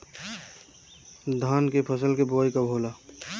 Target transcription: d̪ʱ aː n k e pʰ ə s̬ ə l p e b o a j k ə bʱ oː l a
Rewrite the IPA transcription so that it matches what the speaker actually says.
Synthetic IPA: d̪ʱ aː n k e pʰ ə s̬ ə l k e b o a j k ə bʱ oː l a